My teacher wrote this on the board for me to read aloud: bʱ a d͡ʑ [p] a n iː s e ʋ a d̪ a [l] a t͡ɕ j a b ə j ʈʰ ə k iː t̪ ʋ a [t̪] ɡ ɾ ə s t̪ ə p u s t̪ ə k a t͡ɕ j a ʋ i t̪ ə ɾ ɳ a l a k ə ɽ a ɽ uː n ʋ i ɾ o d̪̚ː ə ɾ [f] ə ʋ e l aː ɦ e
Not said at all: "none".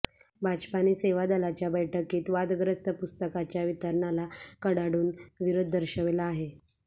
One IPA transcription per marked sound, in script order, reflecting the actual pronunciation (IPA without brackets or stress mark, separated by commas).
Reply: p, l, d̪, ɕ